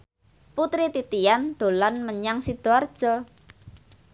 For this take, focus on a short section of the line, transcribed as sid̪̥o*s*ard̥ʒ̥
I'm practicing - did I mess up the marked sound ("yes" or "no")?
yes